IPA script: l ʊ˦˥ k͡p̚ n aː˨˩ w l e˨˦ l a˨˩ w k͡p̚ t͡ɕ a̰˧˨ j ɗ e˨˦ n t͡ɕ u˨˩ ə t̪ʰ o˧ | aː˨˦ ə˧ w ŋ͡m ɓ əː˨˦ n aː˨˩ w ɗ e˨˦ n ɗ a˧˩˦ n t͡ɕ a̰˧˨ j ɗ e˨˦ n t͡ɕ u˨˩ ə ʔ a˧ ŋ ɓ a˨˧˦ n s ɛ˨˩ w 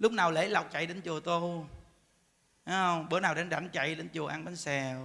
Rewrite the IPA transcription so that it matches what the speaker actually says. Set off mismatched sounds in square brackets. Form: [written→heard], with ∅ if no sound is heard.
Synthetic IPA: l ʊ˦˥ k͡p̚ n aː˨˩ w l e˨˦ l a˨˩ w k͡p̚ t͡ɕ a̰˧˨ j ɗ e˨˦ n t͡ɕ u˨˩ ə [t̪ʰ→t̪] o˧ | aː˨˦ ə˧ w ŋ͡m ɓ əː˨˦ n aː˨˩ w ɗ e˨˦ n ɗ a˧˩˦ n t͡ɕ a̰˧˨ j ɗ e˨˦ n t͡ɕ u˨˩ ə ʔ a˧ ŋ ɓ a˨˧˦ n s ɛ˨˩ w